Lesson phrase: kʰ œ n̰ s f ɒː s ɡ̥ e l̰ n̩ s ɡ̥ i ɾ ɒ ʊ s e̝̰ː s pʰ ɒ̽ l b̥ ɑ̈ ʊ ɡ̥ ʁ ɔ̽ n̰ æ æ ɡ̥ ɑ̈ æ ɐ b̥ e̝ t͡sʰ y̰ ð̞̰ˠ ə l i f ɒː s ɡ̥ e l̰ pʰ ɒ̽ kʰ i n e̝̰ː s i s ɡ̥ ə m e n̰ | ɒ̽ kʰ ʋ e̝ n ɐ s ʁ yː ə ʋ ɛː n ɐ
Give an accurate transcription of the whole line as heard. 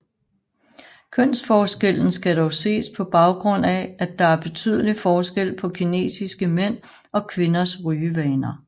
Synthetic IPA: kʰ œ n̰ s f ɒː s ɡ̥ e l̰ n̩ s ɡ̥ æ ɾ ɒ ʊ s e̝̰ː s pʰ ɒ̽ b̥ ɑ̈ ʊ ɡ̥ ʁ ɔ̽ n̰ æ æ d̥ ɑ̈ æ ɐ b̥ e̝ t͡sʰ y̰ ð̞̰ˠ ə l i f ɒː s ɡ̥ e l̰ pʰ ɒ̽ kʰ i n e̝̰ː s i s ɡ̥ ə m e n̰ | ɒ̽ kʰ ʋ e̝ n ɐ s ʁ yː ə ʋ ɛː n ɐ